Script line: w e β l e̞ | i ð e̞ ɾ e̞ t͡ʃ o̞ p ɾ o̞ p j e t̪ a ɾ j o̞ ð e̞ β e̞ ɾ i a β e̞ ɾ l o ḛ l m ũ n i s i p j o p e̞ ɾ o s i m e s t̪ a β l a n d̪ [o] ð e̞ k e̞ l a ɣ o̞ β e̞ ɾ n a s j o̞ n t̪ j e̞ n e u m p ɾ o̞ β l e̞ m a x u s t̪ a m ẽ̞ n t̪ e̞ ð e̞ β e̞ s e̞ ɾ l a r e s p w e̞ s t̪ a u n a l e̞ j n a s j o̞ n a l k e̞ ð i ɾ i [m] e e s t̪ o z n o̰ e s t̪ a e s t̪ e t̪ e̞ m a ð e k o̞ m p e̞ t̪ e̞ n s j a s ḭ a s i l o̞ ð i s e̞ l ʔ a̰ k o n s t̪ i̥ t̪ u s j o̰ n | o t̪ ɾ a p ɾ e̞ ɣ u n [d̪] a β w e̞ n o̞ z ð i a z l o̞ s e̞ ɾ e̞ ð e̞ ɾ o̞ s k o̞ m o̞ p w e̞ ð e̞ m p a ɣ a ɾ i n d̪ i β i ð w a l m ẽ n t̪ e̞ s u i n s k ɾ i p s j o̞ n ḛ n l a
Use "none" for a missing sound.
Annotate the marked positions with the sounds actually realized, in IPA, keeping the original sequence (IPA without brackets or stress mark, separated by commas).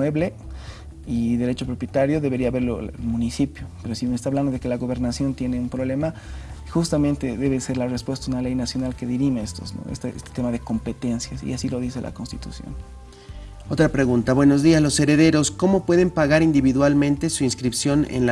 o, m, t̪